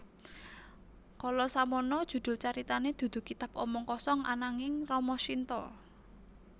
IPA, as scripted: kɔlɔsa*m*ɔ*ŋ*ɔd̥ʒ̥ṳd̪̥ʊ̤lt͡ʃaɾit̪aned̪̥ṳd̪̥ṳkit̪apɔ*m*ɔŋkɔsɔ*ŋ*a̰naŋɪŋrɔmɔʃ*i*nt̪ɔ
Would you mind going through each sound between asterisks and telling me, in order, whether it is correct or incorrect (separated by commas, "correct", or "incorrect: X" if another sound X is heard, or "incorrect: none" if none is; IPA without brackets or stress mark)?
correct, incorrect: n, correct, correct, correct